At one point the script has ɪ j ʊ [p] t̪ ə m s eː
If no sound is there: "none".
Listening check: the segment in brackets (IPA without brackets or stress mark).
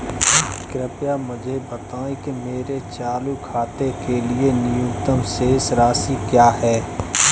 k